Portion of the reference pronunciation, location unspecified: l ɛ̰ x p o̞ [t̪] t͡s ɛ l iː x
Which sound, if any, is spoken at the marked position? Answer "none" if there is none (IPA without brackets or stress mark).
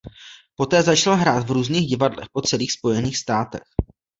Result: none